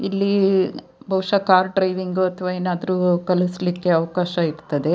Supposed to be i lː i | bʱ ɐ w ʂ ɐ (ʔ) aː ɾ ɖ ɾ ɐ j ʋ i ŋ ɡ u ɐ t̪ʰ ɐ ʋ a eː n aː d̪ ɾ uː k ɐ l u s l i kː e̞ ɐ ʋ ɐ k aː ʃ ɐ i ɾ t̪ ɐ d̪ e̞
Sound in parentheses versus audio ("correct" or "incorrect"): incorrect